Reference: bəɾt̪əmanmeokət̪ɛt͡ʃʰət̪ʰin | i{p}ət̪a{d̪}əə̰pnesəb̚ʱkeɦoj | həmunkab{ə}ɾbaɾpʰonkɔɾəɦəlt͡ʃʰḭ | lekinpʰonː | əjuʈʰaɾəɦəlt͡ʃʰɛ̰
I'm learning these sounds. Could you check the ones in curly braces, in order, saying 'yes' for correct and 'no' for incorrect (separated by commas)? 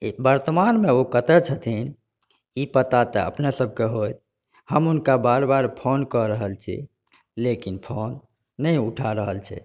yes, no, no